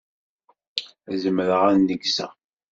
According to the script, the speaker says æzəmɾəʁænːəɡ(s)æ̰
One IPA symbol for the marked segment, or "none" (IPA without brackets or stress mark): s